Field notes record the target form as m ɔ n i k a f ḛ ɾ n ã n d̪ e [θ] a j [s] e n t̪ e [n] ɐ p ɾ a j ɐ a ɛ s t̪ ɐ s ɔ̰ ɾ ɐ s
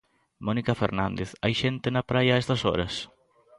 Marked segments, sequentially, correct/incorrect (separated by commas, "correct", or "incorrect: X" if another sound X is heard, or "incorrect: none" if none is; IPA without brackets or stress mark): correct, incorrect: ʃ, correct